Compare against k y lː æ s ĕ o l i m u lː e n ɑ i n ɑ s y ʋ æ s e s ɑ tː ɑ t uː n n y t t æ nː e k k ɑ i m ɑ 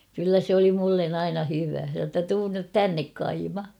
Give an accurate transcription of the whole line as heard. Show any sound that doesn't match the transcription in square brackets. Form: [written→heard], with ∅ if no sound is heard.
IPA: k y lː æ s ĕ o l i m u lː e n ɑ i n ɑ [s→h] y ʋ æ s e s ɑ tː ɑ t uː n n y t t æ nː e k k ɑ i m ɑ